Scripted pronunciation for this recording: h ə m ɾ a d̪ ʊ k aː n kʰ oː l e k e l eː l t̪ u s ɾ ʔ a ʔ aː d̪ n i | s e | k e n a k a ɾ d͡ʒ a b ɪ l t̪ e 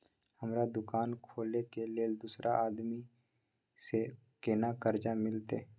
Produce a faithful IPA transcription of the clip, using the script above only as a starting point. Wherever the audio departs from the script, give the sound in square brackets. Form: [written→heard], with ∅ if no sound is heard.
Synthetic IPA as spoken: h ə m ɾ a d̪ ʊ k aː n kʰ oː l e k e l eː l [t̪→d̪] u s ɾ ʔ a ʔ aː d̪ [n→m] i | s e | k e n a k [a→ə] ɾ d͡ʒ a [b→m] ɪ l t̪ e